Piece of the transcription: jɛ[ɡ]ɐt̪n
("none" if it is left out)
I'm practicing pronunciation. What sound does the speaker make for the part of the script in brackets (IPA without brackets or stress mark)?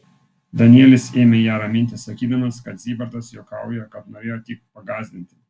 k